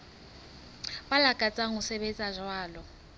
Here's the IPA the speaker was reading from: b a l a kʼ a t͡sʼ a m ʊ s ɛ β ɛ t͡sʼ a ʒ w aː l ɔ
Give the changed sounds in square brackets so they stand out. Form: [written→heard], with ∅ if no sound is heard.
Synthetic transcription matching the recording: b a l a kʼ a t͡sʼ a [m→ŋ] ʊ s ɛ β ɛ t͡sʼ a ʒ w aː l ɔ

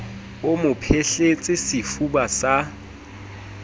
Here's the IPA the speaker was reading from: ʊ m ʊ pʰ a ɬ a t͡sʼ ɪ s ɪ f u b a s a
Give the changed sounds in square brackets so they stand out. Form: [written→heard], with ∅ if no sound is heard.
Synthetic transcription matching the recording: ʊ m ʊ pʰ [a→e] ɬ [a→e] t͡sʼ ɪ s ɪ f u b a s a

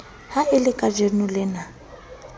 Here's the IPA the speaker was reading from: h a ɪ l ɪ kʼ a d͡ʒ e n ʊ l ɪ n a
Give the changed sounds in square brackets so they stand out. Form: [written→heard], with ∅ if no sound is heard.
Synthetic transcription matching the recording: h a ɪ l ɪ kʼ a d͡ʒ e n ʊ l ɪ n a

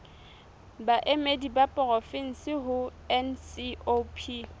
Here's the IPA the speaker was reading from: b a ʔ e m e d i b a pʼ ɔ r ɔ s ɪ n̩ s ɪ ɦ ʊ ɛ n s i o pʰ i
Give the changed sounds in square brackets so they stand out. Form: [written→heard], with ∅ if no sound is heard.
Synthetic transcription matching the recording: b a ʔ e m e d i b a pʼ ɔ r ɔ [s→f] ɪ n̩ s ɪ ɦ ʊ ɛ n s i o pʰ i

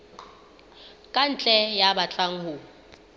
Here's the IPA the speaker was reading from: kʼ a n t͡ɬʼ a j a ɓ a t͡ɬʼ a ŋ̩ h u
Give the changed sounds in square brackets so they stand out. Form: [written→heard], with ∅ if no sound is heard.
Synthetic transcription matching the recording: kʼ a n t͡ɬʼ [a→ɛ] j a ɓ a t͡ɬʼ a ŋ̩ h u

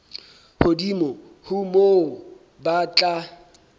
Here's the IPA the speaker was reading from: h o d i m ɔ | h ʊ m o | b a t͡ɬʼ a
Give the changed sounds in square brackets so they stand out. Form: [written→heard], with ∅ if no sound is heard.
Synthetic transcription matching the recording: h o d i m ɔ | h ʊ m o | b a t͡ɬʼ a

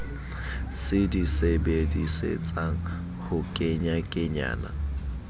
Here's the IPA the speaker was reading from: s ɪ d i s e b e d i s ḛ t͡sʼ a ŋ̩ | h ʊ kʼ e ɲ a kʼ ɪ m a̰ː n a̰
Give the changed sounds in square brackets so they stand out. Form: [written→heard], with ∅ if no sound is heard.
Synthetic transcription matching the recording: s ɪ d i s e b e d i s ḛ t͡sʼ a ŋ̩ | h ʊ kʼ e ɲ a kʼ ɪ [m→ɲ] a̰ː n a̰

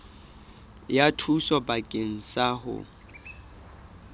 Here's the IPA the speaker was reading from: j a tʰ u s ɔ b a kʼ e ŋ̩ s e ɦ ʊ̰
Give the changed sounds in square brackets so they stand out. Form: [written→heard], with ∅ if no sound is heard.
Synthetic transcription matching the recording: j a tʰ u s ɔ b a kʼ e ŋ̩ s [e→a] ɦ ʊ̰

